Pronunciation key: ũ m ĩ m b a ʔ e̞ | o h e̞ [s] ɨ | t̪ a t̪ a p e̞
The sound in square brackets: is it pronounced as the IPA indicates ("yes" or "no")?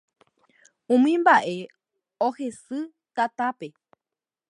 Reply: yes